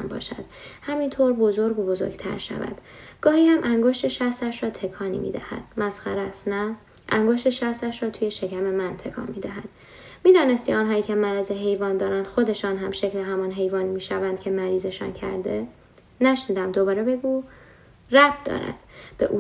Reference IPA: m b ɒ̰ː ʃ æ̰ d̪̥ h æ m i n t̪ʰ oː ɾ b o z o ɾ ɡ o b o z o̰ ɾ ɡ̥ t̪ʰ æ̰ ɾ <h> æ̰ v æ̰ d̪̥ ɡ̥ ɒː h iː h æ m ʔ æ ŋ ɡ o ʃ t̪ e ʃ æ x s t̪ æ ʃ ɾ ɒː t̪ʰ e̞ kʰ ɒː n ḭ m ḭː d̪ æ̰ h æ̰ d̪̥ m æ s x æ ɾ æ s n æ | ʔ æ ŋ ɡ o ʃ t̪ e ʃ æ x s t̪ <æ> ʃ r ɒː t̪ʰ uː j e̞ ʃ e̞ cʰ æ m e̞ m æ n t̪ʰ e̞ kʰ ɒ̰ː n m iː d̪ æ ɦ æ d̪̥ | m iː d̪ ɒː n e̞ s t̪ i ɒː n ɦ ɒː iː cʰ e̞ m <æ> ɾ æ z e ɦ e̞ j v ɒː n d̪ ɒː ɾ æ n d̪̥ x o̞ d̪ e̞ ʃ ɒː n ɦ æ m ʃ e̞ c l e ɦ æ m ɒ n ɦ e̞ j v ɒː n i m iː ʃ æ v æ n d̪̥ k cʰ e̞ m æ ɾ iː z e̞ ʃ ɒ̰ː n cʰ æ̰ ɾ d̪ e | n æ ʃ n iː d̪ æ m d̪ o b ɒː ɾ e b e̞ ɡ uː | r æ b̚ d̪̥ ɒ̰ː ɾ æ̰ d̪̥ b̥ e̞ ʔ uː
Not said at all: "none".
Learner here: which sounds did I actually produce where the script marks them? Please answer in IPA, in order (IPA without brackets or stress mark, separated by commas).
ʃ, æ, æ